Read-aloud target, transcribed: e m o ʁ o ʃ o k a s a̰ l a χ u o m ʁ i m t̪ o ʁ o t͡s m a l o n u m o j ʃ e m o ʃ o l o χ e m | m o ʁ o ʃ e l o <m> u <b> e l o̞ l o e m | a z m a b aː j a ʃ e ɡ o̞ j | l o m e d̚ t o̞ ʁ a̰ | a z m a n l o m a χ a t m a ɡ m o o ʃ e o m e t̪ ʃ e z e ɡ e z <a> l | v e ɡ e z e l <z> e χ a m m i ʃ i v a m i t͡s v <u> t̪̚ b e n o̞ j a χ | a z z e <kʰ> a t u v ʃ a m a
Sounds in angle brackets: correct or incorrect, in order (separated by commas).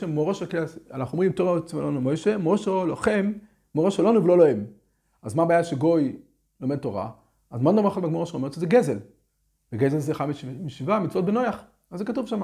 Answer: incorrect, incorrect, incorrect, correct, incorrect, incorrect